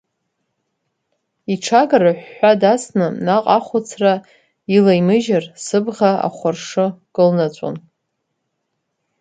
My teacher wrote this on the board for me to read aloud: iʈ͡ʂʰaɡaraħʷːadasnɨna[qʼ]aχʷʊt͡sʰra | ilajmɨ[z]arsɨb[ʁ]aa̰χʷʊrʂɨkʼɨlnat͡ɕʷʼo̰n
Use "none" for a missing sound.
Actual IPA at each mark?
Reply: qʼ, ʒ, ʁ

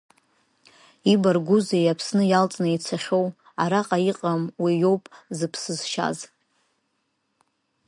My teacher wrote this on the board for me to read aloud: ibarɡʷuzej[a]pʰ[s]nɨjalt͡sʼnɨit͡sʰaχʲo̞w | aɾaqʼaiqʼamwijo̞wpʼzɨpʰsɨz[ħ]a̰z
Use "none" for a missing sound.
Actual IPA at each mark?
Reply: a, s, ʃ

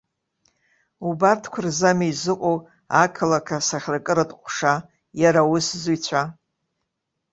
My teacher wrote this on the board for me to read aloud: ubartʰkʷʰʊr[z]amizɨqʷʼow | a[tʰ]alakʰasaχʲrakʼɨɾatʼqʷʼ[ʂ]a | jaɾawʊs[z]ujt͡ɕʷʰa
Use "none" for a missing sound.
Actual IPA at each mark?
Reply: z, kʰ, ʂ, z

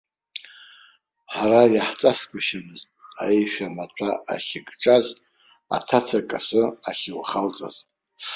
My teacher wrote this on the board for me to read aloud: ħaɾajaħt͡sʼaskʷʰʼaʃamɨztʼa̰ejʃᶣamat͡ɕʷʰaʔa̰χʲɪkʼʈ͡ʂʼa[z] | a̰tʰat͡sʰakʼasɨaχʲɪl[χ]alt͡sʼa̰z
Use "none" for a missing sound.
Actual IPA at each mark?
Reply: z, χ

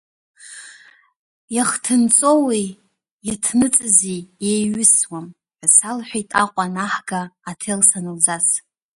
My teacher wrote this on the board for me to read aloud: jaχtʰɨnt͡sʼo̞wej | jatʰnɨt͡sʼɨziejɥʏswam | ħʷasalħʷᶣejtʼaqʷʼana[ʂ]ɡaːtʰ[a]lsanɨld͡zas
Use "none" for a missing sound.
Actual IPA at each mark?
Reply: ħ, e

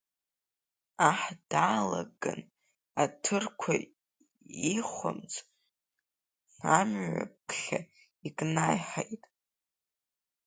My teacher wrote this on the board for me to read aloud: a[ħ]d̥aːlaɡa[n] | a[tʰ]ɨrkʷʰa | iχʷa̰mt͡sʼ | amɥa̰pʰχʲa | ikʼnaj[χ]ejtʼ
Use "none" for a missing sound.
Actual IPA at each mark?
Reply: ħ, n, tʰ, ħ

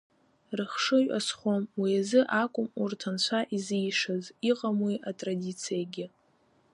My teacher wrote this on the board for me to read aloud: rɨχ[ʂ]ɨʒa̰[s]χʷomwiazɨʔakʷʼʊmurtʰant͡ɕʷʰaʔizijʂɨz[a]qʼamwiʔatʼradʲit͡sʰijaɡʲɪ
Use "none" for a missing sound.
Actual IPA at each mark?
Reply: ʂ, s, i

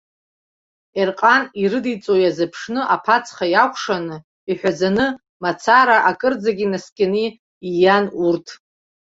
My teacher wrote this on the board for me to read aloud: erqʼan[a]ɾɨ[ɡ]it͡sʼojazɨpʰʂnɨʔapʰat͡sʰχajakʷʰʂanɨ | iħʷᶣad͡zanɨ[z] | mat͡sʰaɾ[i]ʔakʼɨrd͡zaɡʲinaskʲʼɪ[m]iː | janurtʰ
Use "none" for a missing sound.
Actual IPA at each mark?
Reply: i, d, none, a, n

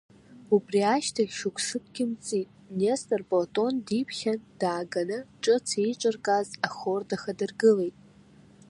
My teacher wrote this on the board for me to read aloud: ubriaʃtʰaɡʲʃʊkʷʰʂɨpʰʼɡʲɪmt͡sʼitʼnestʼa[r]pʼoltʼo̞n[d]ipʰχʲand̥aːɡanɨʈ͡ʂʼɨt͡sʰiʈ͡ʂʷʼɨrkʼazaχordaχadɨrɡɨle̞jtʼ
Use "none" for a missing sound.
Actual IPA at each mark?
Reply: r, d

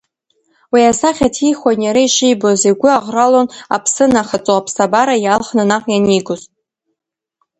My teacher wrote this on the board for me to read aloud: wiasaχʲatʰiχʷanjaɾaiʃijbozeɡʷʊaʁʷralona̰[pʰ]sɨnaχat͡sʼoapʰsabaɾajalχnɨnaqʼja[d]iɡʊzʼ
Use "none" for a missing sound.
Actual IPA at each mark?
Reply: pʰ, n

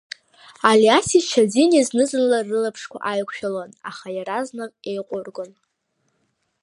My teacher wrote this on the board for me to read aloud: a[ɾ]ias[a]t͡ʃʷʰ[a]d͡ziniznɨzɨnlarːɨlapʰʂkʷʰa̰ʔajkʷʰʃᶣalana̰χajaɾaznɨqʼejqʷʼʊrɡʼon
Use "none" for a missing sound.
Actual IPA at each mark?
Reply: l, i, a

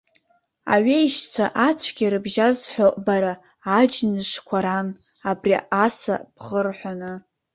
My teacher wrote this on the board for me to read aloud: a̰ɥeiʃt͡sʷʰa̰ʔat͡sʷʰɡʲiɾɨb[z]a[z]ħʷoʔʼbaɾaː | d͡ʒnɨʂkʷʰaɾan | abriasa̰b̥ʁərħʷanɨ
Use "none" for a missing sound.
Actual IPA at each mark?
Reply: ʒ, z

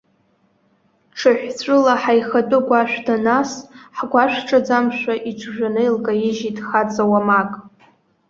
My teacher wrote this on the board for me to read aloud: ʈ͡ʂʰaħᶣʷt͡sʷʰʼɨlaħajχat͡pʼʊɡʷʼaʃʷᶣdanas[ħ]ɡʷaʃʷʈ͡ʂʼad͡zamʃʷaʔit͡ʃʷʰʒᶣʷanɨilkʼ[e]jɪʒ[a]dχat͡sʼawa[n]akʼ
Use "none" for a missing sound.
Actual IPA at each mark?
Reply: ħ, a, i, m

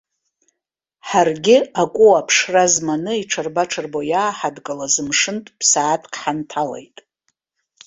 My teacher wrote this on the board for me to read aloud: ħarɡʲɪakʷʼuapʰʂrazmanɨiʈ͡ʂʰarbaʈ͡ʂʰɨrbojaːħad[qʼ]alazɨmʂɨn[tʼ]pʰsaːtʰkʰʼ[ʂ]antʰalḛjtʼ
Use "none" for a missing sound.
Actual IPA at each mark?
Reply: kʼ, tʼ, ħ

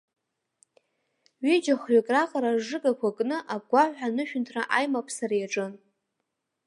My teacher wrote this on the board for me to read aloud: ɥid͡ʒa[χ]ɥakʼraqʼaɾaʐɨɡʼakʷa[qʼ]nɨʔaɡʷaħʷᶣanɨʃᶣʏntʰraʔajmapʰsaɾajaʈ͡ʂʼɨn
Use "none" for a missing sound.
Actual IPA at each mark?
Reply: χ, kʼ

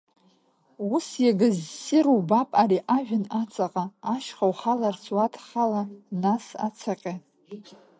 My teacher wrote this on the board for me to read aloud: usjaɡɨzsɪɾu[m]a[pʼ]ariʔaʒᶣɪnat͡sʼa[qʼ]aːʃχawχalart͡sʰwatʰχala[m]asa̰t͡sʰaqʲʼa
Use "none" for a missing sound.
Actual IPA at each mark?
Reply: b, pʼ, qʼ, n

